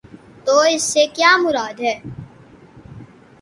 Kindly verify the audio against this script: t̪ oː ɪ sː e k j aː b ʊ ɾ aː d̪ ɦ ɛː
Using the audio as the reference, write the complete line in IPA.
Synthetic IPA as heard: t̪ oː ɪ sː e k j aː m ʊ ɾ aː d̪ ɦ ɛː